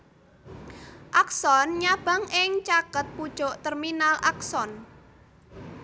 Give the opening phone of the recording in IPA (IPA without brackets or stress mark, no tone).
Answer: ʔ